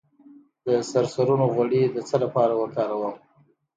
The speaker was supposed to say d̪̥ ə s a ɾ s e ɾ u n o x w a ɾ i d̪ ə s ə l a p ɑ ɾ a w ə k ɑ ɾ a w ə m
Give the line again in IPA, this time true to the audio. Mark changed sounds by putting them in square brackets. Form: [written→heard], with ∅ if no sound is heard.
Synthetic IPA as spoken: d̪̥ ə s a ɾ s [e→a] ɾ u n o [x→ɣ] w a [ɾ→ɽ] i d̪ ə [s→t͡s] ə l a p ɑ ɾ a w ə k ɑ ɾ a w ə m